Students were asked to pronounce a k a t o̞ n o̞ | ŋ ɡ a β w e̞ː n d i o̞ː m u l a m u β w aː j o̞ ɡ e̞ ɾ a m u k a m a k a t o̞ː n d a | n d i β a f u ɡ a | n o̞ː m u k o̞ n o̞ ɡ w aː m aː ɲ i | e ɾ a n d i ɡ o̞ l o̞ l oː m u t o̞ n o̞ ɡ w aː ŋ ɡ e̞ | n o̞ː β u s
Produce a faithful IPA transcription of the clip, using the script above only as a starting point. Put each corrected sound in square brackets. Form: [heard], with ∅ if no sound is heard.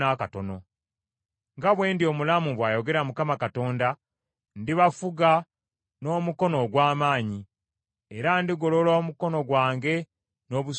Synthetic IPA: a k a t o̞ n o̞ | ŋ ɡ a β w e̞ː n d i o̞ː m u l a m u β w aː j o̞ ɡ e̞ ɾ a m u k a m a k a t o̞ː n d a | n d i β a f u ɡ a | n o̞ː m u k o̞ n o̞ ɡ w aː m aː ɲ i | e ɾ a n d i ɡ o̞ l o̞ l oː m u [k] o̞ n o̞ ɡ w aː ŋ ɡ e̞ | n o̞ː β u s

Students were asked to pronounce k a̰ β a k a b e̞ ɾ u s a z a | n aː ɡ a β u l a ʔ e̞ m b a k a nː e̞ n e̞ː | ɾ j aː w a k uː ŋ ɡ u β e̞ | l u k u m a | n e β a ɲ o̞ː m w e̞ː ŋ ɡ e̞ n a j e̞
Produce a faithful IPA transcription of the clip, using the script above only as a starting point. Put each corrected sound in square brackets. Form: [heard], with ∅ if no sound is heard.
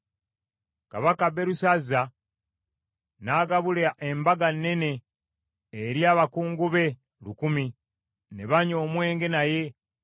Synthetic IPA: k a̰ β a k a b e̞ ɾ u s a z a | n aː ɡ a β u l a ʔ e̞ m b a [ɡ] a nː e̞ n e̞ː | ɾ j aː [β] a k uː ŋ ɡ u β e̞ | l u k u m [i] | n e β a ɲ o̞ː m w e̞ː ŋ ɡ e̞ n a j e̞

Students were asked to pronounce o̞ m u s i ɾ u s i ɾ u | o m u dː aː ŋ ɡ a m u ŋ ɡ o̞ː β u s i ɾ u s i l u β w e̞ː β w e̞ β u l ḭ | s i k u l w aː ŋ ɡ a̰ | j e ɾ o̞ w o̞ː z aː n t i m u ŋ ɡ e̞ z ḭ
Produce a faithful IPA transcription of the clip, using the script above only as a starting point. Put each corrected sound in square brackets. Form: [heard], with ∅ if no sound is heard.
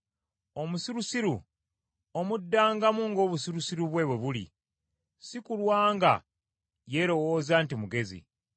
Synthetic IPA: o̞ m u s i ɾ u s i ɾ u | o m u dː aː ŋ ɡ a m u ŋ ɡ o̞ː β u s i ɾ u s i [ɾ] u β w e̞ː β w e̞ β u l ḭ | s i k u l w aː ŋ ɡ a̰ | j e ɾ o̞ w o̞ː z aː n t i m u [∅] ɡ e̞ z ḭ

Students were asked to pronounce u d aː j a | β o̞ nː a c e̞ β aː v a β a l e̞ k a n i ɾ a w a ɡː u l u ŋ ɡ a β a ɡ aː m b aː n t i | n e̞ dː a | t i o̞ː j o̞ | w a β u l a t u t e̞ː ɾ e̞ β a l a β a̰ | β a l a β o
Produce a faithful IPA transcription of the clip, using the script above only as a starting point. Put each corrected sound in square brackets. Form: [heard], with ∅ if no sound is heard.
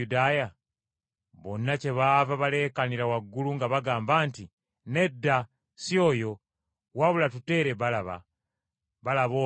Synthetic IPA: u d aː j a | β o̞ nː a c e̞ β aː v a β a l e̞ k a n i ɾ a w a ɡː u l u ŋ ɡ a β a ɡ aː m b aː n t i | n e̞ dː a | [s] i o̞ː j o̞ | w a β u l a t u t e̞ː ɾ e̞ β a l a β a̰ | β a l a β o

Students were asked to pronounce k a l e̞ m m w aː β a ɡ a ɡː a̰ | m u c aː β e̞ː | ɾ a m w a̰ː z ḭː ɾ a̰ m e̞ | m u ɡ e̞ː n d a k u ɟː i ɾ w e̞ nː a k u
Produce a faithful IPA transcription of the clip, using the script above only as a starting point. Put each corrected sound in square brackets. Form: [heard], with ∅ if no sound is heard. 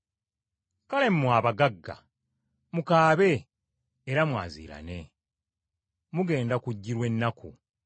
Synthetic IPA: k a l e̞ m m w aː β a ɡ a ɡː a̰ | m u [k] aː β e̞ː | ɾ a m w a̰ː z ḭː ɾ a̰ [n] e̞ | m u ɡ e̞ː n d a k u ɟː i ɾ w e̞ nː a k u

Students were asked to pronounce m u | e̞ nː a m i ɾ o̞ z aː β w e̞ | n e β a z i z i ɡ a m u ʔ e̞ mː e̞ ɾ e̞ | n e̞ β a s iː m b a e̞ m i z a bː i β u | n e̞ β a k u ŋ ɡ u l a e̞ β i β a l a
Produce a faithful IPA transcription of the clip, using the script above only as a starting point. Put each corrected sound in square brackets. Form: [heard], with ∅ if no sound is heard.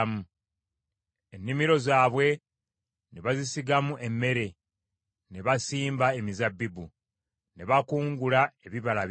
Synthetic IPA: m u | e̞ nː [i] m i ɾ o̞ z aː β w e̞ | n e β a z i [s] i ɡ a m u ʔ e̞ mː e̞ ɾ e̞ | n e̞ β a s iː m b a e̞ m i z a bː i [b] u | n e̞ β a k [uː] ŋ ɡ u l a e̞ β i β a l a

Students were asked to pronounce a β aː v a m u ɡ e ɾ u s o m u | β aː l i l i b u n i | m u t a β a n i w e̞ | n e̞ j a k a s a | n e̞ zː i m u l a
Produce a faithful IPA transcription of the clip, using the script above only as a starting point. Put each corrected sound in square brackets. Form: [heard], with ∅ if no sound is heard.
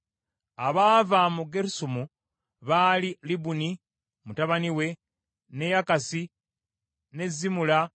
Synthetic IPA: a β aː v a m u ɡ e ɾ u s [u] m u | β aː l i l i b u n i | m u t a β a n i w e̞ | n e̞ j a k a s [i] | n e̞ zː i m u l a

